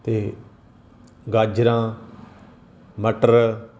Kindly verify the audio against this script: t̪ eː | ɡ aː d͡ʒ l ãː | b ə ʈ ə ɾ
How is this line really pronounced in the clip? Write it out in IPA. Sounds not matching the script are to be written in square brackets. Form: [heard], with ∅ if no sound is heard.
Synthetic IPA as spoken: t̪ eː | ɡ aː d͡ʒ [ɾ] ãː | [m] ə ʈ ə ɾ